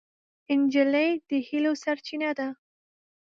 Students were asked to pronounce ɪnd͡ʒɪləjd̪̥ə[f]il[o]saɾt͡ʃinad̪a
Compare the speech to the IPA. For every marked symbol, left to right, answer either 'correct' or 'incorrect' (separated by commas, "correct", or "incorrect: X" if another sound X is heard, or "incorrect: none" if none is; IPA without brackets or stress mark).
incorrect: h, correct